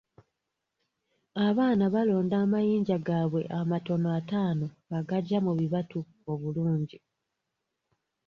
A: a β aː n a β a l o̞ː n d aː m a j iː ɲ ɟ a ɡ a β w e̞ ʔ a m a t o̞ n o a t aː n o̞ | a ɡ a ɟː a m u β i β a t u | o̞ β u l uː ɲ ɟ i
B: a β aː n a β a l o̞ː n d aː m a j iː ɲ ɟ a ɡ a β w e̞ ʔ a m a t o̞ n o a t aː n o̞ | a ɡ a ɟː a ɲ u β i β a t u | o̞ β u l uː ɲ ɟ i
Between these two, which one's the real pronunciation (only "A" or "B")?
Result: A